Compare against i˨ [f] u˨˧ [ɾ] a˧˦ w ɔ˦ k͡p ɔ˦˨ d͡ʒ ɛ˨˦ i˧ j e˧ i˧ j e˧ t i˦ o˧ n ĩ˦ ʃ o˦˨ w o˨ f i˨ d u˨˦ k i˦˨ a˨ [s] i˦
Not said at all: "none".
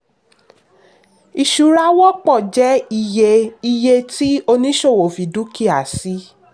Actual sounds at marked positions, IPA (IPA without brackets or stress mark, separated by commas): ʃ, ɾ, s